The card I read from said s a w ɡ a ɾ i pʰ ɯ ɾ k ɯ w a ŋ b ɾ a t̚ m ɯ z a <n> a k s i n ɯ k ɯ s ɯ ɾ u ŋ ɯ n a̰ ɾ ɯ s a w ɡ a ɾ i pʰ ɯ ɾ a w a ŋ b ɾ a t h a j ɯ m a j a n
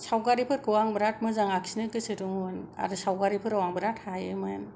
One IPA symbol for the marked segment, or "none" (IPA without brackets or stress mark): ŋ